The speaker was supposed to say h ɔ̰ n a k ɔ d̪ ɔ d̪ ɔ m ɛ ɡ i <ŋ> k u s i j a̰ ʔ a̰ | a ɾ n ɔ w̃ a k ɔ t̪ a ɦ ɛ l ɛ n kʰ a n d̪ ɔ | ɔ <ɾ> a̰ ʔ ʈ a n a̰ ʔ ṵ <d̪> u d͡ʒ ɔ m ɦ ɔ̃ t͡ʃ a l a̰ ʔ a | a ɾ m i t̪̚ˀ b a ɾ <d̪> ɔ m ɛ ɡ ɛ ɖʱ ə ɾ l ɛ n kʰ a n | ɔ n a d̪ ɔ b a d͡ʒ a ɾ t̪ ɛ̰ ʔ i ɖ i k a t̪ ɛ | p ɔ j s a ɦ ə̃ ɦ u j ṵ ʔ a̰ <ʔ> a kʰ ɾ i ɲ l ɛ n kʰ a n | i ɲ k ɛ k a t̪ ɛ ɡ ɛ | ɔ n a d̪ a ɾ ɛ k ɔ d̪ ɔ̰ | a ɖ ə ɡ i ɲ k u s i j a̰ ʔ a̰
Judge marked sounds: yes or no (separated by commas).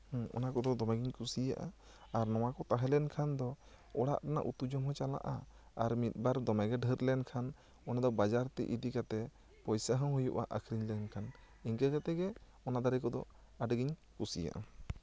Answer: no, no, no, yes, yes